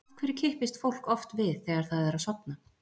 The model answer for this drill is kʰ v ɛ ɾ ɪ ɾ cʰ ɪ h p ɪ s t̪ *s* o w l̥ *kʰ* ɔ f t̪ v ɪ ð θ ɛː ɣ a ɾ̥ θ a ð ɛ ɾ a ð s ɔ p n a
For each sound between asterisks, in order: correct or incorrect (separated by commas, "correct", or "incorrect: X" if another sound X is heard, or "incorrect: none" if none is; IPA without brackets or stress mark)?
incorrect: f, incorrect: k